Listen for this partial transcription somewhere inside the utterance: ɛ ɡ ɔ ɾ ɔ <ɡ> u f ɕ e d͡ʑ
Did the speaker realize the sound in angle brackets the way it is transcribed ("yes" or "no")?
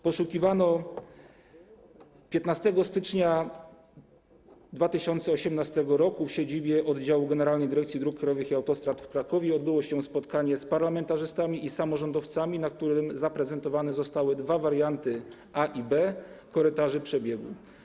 no